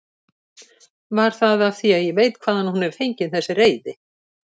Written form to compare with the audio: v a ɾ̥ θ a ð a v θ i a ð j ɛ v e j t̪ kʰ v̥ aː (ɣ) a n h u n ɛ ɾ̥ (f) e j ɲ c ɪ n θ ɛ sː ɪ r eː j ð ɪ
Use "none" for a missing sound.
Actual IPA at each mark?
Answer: ð, θ

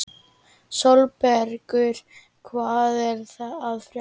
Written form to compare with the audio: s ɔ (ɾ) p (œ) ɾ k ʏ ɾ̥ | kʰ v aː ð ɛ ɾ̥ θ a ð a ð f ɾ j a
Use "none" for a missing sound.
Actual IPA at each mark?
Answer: l, ɛ

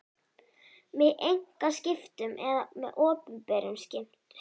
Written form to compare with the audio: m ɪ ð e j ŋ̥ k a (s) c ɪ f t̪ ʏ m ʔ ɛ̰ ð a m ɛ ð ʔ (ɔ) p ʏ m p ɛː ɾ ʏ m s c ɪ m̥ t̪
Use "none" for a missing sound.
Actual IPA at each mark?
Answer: s, ɔː

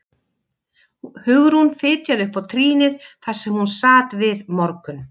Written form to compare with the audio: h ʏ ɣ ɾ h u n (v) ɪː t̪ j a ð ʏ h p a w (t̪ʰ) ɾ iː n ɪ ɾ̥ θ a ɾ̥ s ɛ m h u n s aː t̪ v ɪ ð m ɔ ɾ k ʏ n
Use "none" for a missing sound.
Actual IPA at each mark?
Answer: f, t̪ʰ

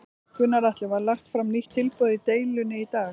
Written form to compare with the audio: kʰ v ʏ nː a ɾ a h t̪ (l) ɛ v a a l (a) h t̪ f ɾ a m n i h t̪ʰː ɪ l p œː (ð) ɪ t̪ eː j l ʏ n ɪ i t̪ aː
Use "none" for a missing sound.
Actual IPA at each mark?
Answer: l, a, ð

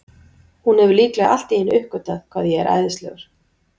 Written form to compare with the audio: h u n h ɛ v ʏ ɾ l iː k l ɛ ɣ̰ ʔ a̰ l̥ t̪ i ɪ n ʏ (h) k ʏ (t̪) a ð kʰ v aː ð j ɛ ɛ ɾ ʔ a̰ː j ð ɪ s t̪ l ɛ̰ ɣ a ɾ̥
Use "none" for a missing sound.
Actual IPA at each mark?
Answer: h, t̪

